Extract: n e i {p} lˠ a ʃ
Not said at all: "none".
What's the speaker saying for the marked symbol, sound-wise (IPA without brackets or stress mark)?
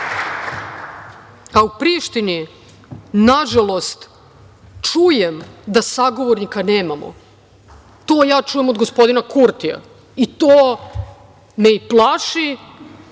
p